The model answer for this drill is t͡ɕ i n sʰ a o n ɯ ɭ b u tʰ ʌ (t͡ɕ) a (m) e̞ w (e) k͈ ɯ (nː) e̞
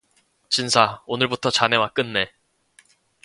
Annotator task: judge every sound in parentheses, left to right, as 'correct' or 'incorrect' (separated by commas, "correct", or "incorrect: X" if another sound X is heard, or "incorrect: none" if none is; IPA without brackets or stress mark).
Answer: correct, incorrect: n, incorrect: a, correct